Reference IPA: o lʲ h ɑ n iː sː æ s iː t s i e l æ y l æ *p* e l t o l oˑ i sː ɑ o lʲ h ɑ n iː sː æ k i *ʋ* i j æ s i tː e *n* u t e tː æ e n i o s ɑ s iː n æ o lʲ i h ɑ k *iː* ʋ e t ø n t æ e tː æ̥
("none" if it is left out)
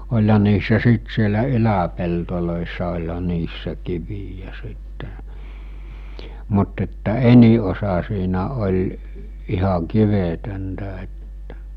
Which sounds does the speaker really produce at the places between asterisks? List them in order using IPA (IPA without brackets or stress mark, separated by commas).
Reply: p, ʋ, m, i